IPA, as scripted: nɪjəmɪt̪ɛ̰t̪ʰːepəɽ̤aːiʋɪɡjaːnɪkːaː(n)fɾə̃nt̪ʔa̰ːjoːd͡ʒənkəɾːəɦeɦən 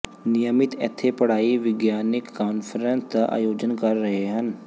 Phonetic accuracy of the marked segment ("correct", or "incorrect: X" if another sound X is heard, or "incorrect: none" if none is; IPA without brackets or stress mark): correct